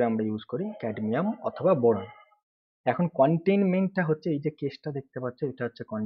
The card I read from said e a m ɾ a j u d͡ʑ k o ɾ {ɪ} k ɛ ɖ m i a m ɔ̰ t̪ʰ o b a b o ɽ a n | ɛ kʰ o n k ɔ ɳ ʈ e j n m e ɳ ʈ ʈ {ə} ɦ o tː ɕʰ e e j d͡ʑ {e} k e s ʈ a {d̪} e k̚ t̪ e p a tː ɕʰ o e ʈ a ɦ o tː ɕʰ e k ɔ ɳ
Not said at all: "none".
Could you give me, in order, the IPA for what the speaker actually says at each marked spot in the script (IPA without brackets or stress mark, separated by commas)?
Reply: i, a, e, d̪